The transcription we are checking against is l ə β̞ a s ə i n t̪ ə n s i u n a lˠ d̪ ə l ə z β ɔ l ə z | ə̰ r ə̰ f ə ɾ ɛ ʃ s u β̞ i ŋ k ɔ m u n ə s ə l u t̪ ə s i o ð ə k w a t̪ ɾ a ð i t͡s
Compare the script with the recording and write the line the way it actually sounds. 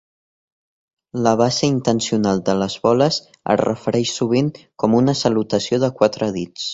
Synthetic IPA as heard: l ə β̞ a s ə i n t̪ ə n s i u n a lˠ d̪ ə l ə z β ɔ l ə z | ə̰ r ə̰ f ə ɾ ɛ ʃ s u β̞ i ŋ k ɔ m u n ə s ə l u t̪ ə s i o ð ə k w a t̪ ɾ ə ð i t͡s